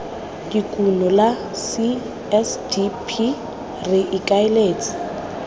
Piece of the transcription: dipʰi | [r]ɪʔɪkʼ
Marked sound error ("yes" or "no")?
no